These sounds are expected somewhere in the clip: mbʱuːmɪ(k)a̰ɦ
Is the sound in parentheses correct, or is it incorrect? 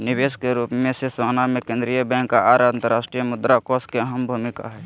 correct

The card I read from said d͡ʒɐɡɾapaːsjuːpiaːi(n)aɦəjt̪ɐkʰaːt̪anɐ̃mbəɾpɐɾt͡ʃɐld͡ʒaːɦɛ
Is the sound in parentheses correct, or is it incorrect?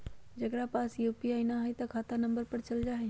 correct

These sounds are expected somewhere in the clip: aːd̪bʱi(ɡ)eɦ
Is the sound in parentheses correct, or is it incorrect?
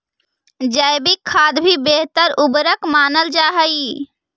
incorrect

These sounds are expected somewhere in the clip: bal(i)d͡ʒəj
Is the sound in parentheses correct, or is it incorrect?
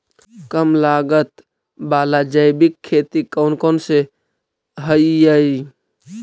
incorrect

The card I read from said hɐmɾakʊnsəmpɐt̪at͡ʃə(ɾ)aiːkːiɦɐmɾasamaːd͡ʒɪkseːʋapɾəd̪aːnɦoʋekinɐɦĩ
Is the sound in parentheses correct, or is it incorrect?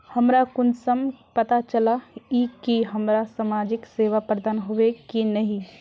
incorrect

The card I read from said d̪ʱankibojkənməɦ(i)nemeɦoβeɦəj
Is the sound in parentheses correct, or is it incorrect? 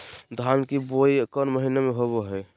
correct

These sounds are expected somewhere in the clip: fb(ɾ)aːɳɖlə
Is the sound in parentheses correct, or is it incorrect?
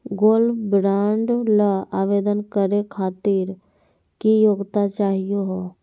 correct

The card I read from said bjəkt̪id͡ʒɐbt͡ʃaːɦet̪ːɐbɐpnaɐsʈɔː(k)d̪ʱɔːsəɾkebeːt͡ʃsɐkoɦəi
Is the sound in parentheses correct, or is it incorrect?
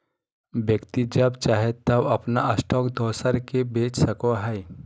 correct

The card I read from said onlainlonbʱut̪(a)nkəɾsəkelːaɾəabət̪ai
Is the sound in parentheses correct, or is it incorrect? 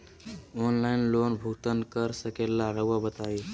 incorrect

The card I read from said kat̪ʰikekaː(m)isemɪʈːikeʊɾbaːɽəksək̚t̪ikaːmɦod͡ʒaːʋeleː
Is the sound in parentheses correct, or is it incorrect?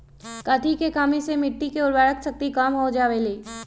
correct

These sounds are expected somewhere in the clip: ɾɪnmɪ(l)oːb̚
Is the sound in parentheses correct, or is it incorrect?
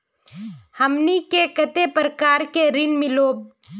correct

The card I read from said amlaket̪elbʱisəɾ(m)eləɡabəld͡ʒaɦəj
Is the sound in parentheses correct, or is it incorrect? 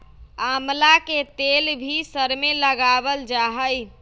correct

